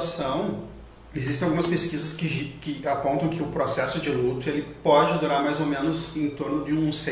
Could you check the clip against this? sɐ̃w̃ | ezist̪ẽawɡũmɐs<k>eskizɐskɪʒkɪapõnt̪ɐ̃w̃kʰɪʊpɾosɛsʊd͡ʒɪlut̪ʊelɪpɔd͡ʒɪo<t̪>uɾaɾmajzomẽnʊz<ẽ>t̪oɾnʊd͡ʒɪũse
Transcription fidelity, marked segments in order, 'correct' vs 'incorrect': incorrect: p, incorrect: d̪, correct

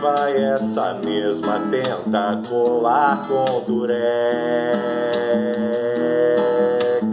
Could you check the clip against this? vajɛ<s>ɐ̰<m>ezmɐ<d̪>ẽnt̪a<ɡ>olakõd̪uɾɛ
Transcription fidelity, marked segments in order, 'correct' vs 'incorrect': correct, correct, incorrect: t̪, incorrect: k

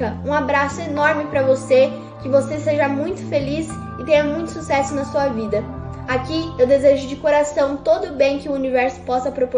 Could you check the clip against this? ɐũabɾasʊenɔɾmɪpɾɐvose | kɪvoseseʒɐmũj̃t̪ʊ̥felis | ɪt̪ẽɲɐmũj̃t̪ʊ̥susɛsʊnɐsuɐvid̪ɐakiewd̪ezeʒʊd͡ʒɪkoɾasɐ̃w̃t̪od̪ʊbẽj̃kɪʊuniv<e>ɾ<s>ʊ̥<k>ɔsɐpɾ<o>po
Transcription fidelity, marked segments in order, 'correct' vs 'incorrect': incorrect: ɛ, correct, incorrect: p, correct

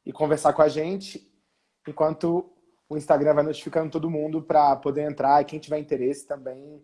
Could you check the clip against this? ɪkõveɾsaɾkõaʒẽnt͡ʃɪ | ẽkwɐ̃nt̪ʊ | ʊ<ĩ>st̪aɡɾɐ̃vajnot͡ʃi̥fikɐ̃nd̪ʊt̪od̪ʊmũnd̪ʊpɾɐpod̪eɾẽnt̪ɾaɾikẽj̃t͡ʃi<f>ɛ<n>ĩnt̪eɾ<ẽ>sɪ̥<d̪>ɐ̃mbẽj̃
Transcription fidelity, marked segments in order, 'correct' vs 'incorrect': correct, incorrect: v, incorrect: none, incorrect: e, incorrect: t̪

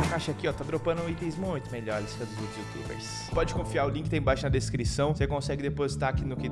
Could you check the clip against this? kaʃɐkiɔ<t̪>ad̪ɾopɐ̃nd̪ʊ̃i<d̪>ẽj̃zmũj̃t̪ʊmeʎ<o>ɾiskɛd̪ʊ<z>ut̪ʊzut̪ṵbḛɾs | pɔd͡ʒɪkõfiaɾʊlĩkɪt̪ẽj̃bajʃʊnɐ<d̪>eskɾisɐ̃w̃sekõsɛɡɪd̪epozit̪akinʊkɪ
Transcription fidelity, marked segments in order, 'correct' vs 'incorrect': correct, incorrect: t̪, incorrect: ɔ, correct, correct

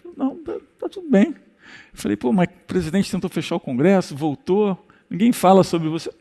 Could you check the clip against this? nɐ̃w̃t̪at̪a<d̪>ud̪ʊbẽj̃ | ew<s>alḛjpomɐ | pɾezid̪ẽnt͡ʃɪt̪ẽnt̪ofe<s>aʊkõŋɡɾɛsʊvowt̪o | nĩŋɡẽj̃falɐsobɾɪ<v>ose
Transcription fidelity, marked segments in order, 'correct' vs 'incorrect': incorrect: t̪, incorrect: f, incorrect: ʃ, correct

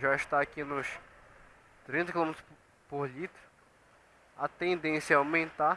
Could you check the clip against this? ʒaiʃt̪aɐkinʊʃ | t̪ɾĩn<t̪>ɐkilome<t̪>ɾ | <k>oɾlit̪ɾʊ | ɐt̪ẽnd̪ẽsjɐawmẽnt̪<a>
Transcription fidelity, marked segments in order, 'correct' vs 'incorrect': correct, correct, incorrect: p, correct

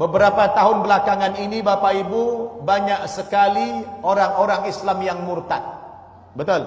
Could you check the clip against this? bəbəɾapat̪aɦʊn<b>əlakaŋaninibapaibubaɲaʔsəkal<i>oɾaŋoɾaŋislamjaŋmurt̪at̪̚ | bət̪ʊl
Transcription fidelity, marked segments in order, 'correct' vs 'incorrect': correct, correct

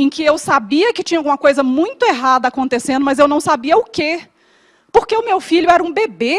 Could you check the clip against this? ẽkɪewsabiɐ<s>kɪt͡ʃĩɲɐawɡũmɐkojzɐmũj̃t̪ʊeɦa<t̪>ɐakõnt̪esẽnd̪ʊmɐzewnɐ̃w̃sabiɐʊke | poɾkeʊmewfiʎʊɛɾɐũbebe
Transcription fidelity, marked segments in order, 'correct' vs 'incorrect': incorrect: none, incorrect: d̪

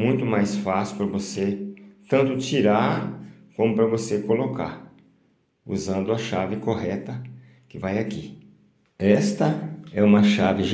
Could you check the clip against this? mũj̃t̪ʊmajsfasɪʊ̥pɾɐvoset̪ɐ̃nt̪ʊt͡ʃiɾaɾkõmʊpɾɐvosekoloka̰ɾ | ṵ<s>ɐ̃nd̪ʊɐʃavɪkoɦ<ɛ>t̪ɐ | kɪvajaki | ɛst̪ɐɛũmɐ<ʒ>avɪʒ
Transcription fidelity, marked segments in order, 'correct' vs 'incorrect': incorrect: z, correct, incorrect: ʃ

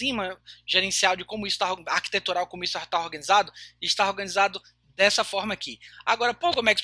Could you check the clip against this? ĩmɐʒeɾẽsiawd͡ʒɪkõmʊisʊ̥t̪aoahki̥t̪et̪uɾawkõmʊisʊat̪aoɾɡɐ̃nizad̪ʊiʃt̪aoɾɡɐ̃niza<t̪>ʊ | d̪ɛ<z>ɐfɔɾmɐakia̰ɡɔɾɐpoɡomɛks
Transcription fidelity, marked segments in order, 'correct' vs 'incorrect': incorrect: d̪, incorrect: s

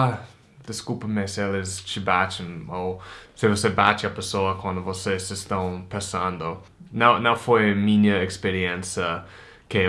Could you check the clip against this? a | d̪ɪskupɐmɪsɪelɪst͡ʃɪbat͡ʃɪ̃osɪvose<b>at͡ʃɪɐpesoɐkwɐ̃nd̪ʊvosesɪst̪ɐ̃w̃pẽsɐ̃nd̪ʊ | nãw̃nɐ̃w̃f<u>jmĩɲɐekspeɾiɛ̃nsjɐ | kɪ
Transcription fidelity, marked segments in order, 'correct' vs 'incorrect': correct, incorrect: o

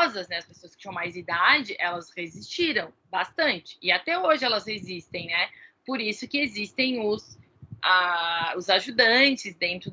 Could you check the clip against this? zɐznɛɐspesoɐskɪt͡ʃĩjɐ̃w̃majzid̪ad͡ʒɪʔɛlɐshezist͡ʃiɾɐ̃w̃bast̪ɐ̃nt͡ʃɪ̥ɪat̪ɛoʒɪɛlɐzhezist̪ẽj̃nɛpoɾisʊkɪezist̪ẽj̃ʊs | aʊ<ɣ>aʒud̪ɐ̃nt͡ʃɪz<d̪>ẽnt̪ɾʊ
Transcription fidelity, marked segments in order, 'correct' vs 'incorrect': incorrect: z, correct

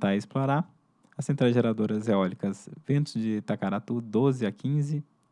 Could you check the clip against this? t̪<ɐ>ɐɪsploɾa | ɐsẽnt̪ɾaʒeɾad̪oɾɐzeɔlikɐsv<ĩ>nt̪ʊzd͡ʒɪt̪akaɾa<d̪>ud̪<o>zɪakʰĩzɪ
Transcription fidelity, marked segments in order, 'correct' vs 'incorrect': incorrect: a, incorrect: ẽ, incorrect: t̪, correct

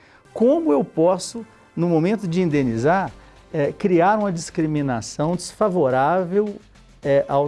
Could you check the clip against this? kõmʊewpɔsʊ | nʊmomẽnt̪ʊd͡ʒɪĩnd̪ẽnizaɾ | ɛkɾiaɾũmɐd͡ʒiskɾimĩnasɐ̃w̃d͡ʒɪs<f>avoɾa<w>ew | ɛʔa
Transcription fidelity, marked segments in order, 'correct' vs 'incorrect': correct, incorrect: v

